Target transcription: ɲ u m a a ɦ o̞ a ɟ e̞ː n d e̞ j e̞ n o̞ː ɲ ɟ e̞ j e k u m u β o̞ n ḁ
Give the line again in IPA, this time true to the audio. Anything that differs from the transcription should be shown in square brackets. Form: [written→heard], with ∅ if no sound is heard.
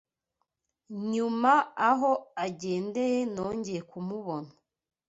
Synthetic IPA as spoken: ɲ u m a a ɦ o̞ a ɟ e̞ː n d e̞ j e̞ n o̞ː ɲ ɟ e̞ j e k u m u β o̞ n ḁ